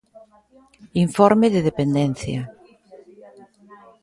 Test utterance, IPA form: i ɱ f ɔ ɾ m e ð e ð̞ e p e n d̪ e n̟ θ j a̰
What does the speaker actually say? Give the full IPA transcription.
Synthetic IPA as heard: i ɱ f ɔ ɾ m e ð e ð̞ e p e n d̪ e n̟ θ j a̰